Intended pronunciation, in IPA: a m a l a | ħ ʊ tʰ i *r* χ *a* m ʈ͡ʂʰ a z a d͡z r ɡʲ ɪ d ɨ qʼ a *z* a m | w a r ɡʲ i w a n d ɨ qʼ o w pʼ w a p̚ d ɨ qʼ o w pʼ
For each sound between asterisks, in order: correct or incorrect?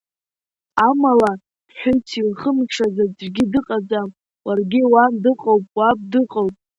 incorrect: l, incorrect: ə, incorrect: d͡z

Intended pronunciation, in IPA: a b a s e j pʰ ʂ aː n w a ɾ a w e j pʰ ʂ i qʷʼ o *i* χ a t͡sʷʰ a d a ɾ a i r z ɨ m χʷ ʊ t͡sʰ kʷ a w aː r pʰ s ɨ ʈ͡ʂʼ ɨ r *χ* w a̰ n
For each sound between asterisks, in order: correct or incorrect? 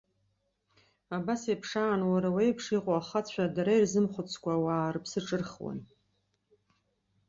incorrect: a, correct

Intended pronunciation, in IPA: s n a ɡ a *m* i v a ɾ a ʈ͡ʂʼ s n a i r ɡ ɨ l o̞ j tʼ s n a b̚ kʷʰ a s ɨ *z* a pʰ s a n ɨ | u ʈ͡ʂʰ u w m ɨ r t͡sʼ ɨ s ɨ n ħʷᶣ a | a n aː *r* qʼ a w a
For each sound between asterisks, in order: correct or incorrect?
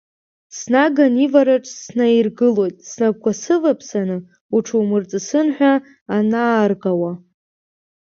incorrect: n, incorrect: v, correct

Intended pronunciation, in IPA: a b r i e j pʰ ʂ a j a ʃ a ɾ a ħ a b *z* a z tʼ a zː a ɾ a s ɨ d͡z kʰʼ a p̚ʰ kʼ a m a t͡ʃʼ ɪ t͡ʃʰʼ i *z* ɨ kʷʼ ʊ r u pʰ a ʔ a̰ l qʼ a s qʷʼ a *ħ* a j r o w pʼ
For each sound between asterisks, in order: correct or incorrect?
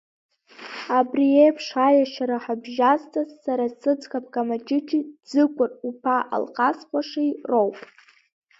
incorrect: ʒ, incorrect: d͡z, incorrect: ʂ

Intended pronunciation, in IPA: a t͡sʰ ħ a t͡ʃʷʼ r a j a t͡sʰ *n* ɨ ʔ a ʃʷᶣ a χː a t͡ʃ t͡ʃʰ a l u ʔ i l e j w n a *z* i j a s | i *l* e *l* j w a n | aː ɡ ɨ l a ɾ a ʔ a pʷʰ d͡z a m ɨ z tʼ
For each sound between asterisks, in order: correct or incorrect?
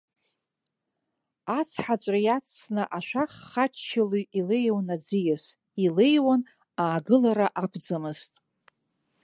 correct, incorrect: d͡z, correct, incorrect: none

